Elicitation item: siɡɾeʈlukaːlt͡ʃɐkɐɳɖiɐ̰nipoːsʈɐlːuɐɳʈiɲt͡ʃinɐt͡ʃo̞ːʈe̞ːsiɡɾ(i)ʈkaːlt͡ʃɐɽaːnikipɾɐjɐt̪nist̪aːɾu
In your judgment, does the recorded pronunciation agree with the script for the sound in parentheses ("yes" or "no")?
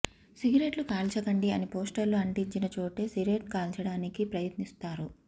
no